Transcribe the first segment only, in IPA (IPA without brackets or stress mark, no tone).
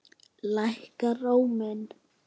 l